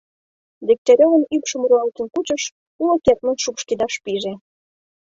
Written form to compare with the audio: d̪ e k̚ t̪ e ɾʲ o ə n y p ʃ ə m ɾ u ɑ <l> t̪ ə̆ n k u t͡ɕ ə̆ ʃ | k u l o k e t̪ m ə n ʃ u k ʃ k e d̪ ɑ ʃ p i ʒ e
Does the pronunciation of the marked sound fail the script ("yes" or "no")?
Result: no